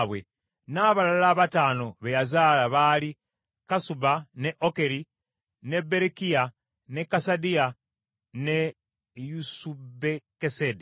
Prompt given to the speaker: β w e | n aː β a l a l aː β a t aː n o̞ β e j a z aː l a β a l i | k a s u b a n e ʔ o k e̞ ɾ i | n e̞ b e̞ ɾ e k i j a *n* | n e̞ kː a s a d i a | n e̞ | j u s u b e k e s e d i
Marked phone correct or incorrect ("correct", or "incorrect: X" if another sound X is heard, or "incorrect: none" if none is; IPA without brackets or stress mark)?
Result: incorrect: none